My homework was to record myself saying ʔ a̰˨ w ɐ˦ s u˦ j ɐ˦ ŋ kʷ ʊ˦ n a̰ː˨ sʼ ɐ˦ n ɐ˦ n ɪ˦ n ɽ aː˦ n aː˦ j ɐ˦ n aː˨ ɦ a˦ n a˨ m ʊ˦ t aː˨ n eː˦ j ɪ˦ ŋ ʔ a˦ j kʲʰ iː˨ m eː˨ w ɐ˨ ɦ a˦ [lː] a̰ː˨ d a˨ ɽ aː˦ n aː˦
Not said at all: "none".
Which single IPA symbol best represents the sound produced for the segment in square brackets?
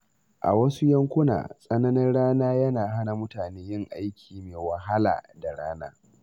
l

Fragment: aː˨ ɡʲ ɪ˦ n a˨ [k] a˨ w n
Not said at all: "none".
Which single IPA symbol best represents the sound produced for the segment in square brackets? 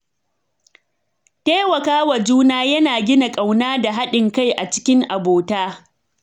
kʼ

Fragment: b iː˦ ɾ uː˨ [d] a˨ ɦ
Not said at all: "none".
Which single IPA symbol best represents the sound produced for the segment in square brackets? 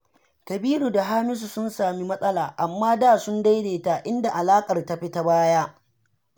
d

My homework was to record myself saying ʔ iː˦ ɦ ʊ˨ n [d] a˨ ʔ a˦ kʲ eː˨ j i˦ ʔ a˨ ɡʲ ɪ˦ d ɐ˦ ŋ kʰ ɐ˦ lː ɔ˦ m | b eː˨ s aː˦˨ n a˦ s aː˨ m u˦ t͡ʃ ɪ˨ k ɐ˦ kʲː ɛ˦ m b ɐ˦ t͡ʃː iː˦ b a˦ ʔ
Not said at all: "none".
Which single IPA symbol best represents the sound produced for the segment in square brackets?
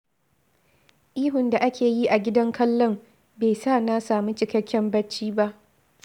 d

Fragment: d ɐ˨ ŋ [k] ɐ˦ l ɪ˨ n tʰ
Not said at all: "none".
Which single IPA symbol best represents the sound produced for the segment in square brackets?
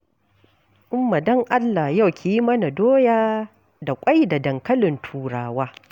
k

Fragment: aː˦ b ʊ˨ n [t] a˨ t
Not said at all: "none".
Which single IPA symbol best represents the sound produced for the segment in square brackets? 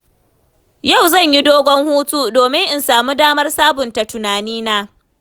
t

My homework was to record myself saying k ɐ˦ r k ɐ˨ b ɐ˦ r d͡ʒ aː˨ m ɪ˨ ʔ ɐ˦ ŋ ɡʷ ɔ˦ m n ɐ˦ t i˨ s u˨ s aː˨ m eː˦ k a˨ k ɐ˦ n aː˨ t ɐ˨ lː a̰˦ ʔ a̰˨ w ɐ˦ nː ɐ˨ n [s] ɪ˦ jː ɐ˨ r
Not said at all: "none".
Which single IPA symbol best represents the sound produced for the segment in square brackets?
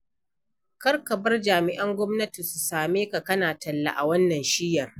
ʃ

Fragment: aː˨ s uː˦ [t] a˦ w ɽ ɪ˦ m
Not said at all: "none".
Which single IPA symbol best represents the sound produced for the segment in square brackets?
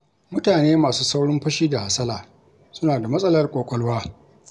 s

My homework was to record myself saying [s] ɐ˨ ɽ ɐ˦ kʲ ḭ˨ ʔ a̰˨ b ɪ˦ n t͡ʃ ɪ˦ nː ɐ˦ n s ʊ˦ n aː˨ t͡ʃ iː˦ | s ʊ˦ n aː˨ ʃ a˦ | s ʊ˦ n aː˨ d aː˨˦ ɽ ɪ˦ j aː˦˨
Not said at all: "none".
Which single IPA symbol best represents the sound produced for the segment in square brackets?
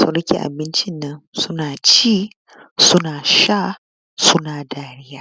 s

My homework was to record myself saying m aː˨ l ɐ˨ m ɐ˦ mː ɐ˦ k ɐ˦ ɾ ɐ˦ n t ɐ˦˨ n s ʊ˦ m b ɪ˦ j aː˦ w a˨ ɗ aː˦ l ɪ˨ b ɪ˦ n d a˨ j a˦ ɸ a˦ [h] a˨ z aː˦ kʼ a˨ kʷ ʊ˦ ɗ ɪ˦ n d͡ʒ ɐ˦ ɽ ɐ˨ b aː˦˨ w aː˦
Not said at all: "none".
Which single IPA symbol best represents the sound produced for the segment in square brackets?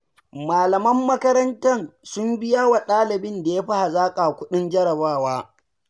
h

